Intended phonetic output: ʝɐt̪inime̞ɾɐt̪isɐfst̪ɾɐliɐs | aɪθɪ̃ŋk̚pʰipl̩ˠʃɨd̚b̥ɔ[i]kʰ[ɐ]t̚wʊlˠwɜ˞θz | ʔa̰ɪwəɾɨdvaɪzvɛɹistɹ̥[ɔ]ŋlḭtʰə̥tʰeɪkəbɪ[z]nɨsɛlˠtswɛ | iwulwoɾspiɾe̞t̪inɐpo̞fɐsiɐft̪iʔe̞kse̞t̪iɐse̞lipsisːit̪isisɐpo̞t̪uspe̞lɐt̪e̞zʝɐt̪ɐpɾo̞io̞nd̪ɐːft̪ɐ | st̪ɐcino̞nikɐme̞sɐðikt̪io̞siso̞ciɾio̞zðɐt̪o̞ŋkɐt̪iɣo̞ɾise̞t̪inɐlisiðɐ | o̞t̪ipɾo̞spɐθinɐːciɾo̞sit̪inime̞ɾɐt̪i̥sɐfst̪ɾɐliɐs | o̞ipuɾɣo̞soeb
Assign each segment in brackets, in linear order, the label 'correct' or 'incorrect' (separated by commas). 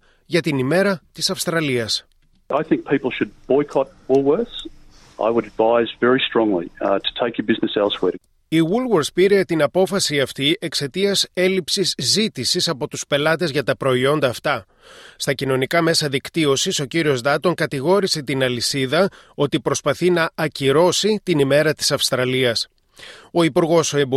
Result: incorrect, incorrect, incorrect, correct